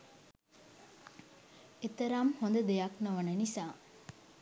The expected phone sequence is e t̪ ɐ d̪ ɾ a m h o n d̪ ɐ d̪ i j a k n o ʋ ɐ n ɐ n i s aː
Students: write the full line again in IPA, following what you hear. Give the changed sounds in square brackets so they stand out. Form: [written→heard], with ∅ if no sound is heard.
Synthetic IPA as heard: e t̪ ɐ [d̪→∅] ɾ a m h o n d̪ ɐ d̪ [i→e] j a k n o ʋ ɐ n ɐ n i s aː